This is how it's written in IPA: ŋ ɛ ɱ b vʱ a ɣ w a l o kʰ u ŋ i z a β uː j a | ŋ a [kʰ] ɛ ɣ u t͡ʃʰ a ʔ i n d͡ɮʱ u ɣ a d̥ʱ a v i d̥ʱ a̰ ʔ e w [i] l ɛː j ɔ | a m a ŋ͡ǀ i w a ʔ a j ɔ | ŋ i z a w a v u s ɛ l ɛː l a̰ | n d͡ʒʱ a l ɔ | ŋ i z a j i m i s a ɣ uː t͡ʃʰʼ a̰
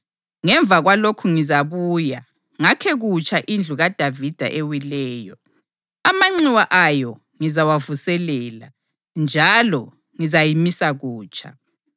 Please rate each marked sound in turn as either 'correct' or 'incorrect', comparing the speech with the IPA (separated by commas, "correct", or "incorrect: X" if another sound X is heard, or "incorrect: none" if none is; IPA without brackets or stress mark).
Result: correct, correct